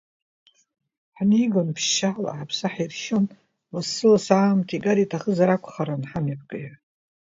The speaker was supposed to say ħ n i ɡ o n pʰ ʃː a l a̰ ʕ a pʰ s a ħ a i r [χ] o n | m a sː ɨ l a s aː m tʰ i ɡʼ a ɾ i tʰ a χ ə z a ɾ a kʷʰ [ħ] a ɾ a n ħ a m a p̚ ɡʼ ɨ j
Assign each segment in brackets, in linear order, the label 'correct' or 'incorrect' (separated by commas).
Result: incorrect, incorrect